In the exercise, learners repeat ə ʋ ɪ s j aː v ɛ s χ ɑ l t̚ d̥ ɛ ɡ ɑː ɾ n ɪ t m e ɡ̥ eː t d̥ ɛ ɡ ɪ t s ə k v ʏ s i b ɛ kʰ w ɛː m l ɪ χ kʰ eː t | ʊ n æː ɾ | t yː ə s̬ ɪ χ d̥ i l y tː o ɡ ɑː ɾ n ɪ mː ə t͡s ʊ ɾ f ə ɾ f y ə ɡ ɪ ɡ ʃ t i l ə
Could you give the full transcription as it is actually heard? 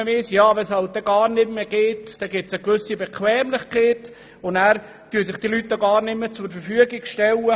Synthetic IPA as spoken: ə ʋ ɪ s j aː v ɛ s h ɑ l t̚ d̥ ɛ ɡ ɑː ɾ n ɪ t m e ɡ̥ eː t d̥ ɛ ɡ ɪ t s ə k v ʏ s i b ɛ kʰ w ɛː m l ɪ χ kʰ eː t | ʊ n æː ɾ | t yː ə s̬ ɪ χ d̥ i l y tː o ɡ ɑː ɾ n ɪ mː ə t͡s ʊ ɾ f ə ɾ f y ə ɡ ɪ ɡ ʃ t ɛ l ə